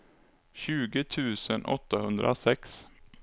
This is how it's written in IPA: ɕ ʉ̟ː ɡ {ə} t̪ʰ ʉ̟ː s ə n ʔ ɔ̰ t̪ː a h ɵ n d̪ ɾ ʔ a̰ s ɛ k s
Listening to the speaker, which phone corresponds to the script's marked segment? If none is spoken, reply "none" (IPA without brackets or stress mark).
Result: ə